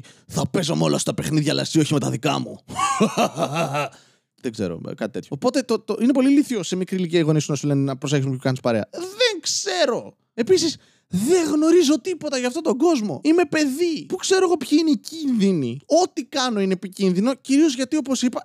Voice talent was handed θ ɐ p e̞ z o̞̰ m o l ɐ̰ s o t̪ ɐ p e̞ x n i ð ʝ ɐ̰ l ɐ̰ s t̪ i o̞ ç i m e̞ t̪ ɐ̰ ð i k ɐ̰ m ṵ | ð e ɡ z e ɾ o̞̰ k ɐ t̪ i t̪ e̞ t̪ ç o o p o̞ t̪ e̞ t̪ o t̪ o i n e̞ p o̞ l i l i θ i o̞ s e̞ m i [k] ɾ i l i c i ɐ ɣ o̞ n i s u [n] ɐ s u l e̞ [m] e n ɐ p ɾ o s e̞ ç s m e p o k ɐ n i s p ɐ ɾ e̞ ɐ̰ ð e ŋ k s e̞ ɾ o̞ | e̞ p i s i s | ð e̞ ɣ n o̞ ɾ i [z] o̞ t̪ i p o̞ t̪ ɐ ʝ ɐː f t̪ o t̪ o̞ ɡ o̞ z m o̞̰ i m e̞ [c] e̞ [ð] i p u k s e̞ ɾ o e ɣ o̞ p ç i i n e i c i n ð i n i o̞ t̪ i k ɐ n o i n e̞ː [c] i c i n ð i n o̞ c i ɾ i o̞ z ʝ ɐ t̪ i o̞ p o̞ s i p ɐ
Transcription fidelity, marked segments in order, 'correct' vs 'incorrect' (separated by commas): correct, correct, incorrect, correct, incorrect, correct, incorrect